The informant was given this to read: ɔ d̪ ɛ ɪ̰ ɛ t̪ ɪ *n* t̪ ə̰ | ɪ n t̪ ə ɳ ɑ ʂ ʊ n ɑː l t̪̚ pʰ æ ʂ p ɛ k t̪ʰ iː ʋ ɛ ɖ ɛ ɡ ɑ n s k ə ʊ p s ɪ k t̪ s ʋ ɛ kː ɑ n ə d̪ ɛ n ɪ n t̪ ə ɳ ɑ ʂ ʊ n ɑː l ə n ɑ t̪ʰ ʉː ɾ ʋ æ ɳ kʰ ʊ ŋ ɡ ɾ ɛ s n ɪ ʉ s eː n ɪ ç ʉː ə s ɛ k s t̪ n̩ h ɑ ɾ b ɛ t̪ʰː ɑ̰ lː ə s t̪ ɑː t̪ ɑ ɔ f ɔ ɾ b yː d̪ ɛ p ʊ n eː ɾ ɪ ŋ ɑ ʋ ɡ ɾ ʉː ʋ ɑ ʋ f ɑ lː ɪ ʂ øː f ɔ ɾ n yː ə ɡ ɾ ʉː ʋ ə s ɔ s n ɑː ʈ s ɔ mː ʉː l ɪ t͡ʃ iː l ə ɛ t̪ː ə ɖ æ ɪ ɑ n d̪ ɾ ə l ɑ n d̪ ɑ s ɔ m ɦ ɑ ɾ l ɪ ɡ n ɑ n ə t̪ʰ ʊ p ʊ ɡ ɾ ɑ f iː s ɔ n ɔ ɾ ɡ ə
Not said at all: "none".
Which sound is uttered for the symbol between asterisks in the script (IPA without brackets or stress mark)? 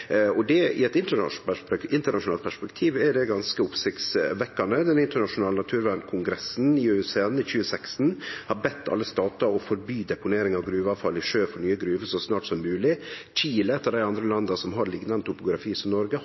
n